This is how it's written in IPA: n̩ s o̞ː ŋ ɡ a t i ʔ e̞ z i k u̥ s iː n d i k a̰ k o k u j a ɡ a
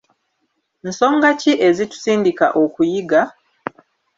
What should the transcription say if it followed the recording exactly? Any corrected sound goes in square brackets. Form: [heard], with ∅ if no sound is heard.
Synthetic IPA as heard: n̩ s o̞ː ŋ ɡ a [c] i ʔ e̞ z i [t] u̥ s iː n d i k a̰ [ʔ] o k u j [i] ɡ a